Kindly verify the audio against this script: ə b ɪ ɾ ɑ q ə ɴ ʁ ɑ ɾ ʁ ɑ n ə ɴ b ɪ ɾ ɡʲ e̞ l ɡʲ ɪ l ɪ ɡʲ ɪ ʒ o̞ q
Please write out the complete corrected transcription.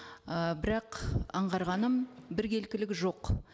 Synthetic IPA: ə b ɪ ɾ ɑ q ɑ ɴ ʁ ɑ ɾ ʁ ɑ n ə m b ɪ ɾ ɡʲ e̞ l kʲ ɪ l ɪ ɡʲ ɪ ʒ o̞ q